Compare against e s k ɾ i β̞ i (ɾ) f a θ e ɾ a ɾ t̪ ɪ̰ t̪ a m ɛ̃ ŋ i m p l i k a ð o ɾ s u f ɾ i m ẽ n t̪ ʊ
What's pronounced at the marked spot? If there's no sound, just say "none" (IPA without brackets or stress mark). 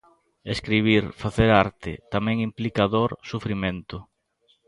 ɾ